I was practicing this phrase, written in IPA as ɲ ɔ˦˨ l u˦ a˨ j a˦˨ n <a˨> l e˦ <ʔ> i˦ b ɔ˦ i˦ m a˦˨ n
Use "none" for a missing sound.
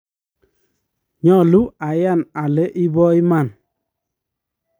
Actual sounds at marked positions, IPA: a˨, ʔ

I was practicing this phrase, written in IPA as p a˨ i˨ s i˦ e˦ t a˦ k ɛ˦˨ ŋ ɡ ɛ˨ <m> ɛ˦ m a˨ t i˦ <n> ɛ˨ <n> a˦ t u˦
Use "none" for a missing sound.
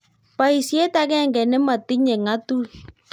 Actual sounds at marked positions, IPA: n, ɲ, ŋ

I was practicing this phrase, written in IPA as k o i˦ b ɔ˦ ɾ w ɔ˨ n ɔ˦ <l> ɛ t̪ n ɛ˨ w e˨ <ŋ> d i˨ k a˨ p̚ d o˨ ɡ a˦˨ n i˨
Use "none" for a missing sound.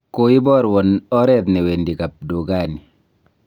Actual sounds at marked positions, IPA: ɾ, n

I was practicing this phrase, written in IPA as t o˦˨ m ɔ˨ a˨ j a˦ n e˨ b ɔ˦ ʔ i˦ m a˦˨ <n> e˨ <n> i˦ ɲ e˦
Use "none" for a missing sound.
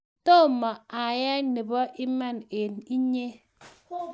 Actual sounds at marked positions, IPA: n, n

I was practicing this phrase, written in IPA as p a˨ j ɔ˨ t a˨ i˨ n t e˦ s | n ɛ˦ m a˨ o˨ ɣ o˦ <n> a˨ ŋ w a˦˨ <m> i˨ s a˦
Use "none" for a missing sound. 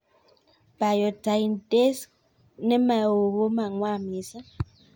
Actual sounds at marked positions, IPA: m, m

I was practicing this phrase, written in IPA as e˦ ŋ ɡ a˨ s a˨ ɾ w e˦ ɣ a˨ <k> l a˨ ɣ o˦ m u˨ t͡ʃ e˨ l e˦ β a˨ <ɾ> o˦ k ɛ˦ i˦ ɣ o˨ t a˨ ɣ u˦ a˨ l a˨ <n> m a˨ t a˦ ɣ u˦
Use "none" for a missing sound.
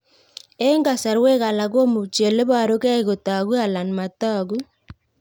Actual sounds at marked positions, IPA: none, ɾ, n

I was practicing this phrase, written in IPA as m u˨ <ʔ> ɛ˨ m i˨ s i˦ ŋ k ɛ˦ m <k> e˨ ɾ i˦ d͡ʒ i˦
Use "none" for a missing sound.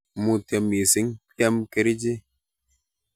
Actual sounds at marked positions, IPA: t, k

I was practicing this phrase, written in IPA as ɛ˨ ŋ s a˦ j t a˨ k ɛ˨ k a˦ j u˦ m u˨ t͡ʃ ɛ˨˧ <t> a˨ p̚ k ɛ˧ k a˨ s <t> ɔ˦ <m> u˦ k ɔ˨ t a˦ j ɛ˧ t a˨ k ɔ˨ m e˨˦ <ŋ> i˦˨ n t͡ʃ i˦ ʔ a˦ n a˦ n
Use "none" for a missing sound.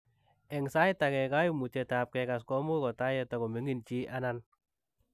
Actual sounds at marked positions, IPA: t, k, m, ŋ

